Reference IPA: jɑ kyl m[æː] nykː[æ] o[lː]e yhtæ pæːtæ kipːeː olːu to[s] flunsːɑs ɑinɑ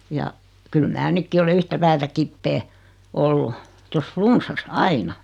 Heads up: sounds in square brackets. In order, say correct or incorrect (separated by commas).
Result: correct, incorrect, incorrect, correct